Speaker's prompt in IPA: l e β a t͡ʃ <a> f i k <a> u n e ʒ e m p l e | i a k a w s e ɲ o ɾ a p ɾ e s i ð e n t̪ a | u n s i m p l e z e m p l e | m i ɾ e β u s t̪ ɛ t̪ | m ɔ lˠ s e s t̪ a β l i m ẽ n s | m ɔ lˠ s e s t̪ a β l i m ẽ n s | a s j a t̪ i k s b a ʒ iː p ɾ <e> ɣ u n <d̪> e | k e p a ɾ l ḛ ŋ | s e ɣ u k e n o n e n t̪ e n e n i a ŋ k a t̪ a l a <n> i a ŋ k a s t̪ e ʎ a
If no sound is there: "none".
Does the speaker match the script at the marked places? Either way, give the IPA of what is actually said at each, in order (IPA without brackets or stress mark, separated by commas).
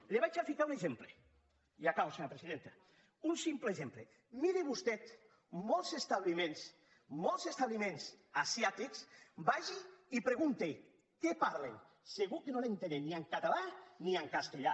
a, a, e, t̪, n